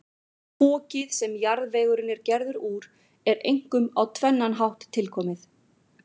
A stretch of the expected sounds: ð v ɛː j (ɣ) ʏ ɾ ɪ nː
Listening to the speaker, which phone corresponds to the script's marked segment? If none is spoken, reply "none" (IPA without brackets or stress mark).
ɣ